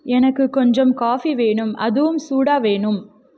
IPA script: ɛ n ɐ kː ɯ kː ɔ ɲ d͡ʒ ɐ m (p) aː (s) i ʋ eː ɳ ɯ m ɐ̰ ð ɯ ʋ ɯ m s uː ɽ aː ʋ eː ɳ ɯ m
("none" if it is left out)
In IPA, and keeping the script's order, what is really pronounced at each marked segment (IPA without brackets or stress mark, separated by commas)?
k, f